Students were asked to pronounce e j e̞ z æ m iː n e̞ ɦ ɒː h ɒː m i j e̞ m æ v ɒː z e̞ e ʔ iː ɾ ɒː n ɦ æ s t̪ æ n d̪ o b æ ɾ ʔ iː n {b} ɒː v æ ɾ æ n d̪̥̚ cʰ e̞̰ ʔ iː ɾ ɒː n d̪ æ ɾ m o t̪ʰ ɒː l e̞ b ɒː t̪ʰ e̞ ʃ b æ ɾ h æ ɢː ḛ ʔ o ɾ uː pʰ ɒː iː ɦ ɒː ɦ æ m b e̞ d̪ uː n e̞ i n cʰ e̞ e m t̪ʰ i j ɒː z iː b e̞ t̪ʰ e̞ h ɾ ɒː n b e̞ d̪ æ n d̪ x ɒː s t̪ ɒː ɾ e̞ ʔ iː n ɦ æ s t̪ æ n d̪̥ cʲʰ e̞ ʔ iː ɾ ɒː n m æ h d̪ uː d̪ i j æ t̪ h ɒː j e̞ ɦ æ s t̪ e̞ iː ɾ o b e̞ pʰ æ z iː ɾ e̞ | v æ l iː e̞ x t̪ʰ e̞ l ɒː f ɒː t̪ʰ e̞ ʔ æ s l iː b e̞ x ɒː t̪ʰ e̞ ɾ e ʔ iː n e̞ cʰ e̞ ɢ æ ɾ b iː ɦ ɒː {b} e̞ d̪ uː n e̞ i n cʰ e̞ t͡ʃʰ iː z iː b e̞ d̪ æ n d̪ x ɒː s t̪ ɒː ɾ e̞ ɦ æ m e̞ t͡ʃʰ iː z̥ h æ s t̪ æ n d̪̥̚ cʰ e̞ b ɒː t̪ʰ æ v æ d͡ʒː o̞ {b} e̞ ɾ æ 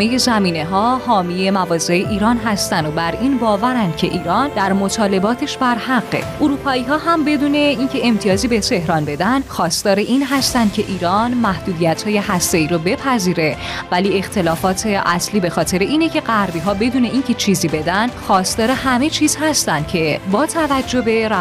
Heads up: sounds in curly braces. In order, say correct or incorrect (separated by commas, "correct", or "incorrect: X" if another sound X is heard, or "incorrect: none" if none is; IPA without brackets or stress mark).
correct, correct, correct